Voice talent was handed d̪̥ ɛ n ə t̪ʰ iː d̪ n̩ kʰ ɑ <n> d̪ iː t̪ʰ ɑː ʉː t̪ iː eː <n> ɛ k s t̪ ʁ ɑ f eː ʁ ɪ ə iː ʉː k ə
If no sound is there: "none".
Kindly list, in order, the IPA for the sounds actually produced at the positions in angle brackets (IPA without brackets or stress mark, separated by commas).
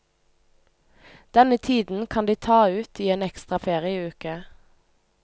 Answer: n, n